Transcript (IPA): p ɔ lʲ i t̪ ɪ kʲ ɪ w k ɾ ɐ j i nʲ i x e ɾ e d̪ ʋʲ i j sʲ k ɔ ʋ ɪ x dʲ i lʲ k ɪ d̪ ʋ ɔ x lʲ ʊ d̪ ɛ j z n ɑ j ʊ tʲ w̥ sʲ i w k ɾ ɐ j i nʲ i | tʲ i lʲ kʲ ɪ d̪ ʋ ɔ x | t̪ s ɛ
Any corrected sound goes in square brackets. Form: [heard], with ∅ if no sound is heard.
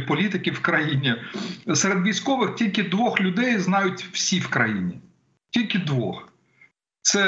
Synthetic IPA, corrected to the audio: p ɔ lʲ i t̪ ɪ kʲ ɪ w k ɾ ɐ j i nʲ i [s] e ɾ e d̪ ʋʲ i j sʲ k ɔ ʋ ɪ x [tʲ] i lʲ k ɪ d̪ ʋ ɔ x lʲ ʊ d̪ ɛ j z n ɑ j ʊ tʲ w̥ sʲ i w k ɾ ɐ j i nʲ i | tʲ i lʲ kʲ ɪ d̪ ʋ ɔ x | t̪ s ɛ